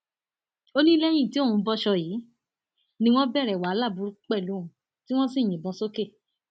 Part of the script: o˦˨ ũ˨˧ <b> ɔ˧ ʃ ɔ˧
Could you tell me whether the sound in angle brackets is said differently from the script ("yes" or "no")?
no